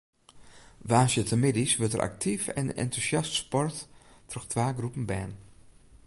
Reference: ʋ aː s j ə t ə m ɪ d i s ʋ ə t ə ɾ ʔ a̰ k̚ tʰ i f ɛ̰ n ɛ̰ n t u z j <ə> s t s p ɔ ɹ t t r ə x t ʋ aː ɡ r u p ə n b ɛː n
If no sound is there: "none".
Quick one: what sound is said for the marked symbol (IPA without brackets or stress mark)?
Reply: ɑ